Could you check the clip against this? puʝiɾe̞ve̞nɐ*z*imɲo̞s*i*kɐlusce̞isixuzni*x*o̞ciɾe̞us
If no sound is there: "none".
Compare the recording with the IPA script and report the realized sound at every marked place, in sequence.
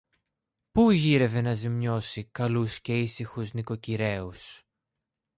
z, i, k

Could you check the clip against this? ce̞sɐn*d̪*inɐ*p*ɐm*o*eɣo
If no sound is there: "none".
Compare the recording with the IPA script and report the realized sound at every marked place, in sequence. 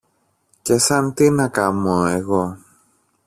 t̪, k, o

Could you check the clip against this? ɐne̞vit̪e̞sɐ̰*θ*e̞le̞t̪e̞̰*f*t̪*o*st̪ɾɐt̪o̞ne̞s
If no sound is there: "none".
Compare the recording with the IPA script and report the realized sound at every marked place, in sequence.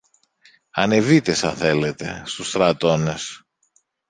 θ, s, u

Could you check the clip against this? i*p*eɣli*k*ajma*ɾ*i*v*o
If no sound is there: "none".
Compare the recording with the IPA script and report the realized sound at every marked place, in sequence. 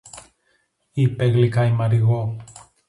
p, k, ɾ, ɣ

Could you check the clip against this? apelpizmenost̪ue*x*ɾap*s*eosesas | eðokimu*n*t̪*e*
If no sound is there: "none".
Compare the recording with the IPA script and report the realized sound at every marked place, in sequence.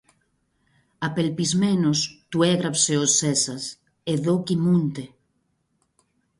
ɣ, s, n, e

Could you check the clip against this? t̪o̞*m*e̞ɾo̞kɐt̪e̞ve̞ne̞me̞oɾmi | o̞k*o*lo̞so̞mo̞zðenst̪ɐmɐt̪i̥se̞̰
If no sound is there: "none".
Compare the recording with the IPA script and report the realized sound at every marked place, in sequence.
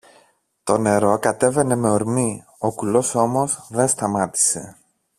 n, u

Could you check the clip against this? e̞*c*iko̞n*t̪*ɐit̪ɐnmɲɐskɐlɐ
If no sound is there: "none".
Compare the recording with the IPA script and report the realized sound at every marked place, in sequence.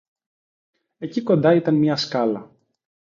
c, d̪

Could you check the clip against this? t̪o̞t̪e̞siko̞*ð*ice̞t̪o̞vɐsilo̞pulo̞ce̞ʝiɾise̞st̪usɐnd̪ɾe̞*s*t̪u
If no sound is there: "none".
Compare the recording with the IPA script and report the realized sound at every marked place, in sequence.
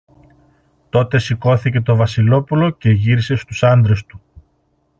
θ, s

